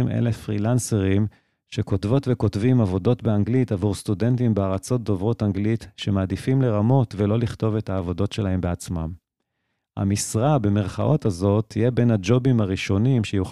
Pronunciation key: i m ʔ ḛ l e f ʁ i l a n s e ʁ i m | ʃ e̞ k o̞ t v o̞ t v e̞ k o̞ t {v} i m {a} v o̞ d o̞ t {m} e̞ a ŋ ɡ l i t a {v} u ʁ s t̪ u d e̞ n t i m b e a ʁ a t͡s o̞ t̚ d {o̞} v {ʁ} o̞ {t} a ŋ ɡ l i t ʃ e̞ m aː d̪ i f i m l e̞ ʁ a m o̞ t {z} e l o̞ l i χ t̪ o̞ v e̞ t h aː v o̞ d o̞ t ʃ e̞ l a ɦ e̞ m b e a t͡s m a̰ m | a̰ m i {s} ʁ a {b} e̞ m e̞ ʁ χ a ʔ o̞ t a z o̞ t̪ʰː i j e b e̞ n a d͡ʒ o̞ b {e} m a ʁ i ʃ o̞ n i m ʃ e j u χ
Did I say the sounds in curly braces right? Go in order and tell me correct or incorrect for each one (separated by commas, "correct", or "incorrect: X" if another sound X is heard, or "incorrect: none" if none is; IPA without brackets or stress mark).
correct, correct, incorrect: b, correct, correct, correct, correct, incorrect: v, correct, correct, incorrect: i